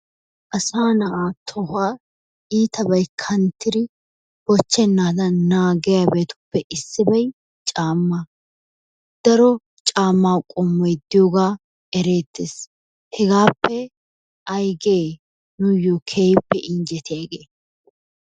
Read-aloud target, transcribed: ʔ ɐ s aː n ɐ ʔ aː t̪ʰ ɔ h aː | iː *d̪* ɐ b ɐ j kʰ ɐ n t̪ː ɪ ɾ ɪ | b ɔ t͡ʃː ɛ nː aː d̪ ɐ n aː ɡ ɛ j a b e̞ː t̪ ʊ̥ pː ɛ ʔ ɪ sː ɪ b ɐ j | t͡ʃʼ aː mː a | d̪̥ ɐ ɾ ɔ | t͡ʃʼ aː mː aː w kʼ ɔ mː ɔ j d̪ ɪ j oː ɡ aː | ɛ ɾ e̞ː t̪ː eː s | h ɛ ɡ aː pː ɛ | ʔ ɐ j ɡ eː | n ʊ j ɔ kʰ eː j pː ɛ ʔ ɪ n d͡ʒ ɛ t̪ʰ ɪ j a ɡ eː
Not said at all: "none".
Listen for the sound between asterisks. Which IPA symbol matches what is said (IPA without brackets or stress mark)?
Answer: t̪